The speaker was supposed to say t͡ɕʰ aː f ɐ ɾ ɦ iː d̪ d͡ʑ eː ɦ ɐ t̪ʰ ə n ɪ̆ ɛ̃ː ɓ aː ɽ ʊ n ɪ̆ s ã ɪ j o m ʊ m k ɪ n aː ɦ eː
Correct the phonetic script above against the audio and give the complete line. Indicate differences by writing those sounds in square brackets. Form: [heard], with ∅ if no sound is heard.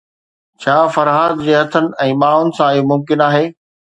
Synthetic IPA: t͡ɕʰ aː f ɐ ɾ ɦ [aː] d̪ d͡ʑ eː ɦ ɐ t̪ʰ ə n ɪ̆ ɛ̃ː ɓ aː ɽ ʊ n ɪ̆ s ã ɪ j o m ʊ m k ɪ n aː ɦ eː